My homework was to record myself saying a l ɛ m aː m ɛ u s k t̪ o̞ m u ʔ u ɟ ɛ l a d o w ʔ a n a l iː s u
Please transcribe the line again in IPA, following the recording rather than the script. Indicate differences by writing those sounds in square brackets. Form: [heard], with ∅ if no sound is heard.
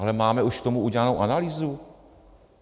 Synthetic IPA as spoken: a l ɛ m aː m ɛ u [ʃ] k t̪ o̞ m u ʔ u ɟ ɛ l a [n] o w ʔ a n a l iː [z] u